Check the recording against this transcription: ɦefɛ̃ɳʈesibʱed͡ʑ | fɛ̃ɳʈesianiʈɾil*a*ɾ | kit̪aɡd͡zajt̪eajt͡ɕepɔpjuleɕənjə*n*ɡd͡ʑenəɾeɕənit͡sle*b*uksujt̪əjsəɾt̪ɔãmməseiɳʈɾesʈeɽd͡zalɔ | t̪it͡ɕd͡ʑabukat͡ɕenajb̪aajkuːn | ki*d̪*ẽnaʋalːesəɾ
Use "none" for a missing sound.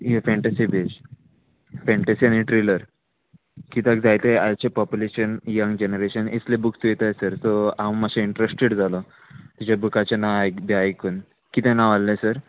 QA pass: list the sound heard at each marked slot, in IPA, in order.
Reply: ə, ŋ, b, t̪

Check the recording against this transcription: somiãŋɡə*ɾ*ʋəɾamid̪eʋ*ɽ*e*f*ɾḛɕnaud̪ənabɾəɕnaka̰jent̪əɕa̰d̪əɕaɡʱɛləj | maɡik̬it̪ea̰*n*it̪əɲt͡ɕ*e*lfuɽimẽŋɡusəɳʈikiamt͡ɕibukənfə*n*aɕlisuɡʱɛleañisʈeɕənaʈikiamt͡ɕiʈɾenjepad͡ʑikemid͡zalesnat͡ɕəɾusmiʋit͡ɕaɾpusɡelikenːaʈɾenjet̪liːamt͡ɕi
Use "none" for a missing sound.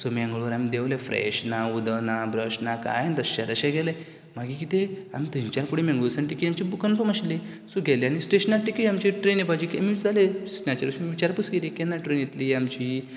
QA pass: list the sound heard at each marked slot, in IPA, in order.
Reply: ɭ, l, f, m, a, m

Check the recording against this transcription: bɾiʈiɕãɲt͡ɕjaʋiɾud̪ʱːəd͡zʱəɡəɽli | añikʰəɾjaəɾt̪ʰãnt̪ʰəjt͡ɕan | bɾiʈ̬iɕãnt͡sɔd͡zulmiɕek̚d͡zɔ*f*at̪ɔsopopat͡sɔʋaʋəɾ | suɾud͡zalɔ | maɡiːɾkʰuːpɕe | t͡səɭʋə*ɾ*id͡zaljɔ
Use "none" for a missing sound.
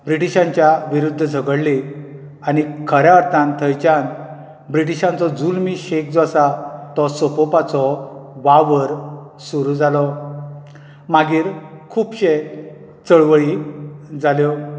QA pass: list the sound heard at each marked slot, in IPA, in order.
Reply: s, ɭ

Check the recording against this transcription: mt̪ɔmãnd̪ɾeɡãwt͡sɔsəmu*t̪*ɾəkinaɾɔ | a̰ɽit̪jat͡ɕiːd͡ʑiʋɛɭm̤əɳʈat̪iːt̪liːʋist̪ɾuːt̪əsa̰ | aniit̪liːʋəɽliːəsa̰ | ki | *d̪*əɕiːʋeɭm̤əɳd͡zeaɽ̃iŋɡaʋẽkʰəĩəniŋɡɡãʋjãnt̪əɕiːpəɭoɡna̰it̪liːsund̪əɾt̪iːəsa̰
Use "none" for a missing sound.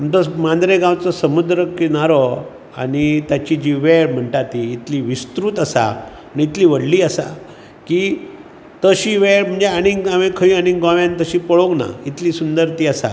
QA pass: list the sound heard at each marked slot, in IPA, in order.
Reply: d̪, t̪

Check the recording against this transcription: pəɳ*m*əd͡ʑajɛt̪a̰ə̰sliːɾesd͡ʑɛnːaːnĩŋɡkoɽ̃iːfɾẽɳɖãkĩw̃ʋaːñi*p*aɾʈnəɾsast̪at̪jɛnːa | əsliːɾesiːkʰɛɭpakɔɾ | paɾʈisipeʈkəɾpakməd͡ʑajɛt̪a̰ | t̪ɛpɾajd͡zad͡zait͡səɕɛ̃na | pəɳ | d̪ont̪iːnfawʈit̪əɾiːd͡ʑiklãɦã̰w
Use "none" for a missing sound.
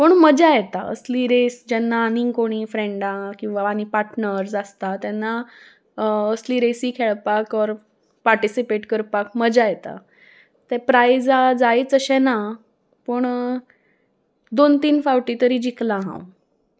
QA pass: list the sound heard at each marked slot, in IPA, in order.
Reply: m, p

